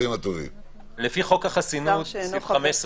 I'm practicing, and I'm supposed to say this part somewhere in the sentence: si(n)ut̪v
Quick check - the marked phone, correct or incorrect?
correct